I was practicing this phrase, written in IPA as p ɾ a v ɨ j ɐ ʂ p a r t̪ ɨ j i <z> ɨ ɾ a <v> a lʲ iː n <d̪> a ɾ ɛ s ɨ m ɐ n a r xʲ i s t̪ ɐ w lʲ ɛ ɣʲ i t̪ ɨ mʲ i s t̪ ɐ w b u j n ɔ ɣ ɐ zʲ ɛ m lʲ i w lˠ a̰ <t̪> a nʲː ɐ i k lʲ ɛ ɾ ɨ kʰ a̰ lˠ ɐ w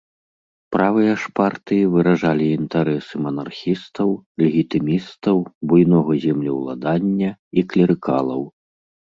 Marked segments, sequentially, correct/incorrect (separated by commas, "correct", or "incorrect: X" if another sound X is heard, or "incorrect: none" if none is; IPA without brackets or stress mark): incorrect: v, incorrect: ʐ, incorrect: t̪, incorrect: d̪